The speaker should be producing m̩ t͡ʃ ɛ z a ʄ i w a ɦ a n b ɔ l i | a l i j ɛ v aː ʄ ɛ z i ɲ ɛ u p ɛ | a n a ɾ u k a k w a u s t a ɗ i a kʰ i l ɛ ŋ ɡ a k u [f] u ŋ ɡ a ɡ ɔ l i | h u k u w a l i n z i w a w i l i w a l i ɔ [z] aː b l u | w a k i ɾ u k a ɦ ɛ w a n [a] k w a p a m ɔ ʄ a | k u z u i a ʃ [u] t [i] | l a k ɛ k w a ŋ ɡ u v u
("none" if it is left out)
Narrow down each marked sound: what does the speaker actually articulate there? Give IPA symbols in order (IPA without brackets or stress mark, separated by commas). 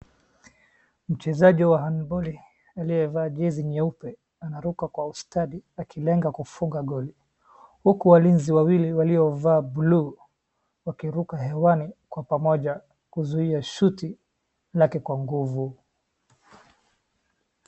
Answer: f, v, i, u, i